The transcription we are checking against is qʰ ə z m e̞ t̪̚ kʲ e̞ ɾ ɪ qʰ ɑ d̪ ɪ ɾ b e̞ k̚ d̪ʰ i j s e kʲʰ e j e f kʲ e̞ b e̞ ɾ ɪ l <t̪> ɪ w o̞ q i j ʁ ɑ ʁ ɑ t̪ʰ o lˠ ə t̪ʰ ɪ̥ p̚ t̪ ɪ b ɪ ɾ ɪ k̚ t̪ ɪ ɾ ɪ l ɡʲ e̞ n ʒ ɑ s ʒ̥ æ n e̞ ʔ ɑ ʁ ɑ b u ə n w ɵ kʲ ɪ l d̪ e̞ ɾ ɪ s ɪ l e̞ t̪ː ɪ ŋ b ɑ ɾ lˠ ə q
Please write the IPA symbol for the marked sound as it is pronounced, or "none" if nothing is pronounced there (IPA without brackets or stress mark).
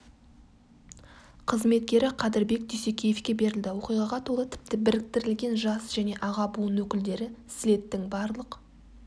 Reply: d̪